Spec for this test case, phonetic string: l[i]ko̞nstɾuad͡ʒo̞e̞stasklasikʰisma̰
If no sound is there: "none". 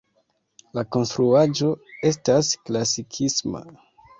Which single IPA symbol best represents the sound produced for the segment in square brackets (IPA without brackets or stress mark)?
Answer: a